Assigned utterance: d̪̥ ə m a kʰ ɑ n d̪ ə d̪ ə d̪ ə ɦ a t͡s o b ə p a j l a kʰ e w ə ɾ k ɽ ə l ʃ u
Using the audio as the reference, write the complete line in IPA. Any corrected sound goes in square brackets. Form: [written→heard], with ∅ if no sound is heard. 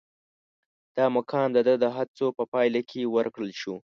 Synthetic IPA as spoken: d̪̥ [ə→ɑ] m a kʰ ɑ n d̪ ə d̪ ə d̪ ə ɦ a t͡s o [b→p] ə p [a→ɑ] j l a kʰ e w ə ɾ k ɽ ə l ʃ u